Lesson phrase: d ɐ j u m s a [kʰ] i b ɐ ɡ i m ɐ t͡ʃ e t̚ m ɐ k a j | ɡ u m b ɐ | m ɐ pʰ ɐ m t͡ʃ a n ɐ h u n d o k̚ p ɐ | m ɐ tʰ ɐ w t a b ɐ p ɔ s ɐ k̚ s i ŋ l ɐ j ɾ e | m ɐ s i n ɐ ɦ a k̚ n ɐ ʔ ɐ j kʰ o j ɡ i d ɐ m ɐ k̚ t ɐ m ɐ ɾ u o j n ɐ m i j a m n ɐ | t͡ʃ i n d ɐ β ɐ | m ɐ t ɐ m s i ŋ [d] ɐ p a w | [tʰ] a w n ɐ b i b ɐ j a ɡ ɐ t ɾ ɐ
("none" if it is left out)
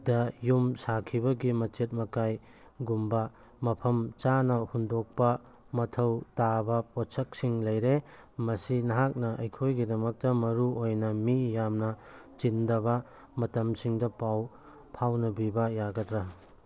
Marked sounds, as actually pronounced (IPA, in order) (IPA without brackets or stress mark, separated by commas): kʰ, d, pʰ